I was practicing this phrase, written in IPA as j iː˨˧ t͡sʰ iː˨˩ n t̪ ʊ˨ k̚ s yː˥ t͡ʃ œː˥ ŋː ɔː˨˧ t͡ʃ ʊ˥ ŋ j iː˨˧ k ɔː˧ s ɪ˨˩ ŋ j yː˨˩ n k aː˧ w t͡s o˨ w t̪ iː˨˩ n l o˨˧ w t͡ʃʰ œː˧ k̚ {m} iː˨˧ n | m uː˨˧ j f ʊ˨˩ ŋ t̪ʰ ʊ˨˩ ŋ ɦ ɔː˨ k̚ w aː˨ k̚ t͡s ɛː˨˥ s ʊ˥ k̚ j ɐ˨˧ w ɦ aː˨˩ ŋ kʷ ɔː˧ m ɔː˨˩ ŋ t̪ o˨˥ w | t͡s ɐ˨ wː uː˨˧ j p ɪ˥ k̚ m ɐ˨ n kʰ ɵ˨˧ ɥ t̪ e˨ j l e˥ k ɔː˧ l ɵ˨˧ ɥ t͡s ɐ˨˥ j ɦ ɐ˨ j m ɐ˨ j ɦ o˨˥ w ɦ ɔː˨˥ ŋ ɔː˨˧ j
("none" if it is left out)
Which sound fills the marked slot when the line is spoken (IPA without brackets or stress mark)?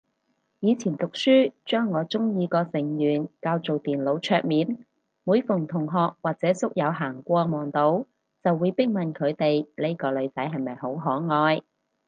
m